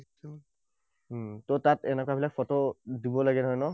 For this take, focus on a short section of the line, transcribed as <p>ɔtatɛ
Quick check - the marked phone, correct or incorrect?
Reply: incorrect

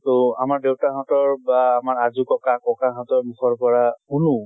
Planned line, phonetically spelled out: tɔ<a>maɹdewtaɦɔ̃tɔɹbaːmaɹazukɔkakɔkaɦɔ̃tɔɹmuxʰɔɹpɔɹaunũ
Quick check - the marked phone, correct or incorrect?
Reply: correct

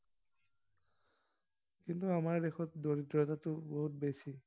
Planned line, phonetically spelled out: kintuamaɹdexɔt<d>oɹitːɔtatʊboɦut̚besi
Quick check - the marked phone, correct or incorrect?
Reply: correct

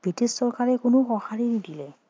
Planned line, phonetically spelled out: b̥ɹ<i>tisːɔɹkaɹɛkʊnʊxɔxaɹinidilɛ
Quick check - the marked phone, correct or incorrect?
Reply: correct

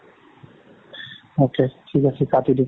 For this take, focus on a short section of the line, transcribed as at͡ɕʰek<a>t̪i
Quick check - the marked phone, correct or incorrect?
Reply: correct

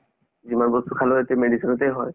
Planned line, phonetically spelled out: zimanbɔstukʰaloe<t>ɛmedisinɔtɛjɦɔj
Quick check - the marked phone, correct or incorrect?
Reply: correct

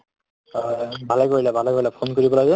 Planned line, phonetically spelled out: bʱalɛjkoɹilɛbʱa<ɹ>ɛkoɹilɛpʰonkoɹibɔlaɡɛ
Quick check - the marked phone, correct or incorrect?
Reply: incorrect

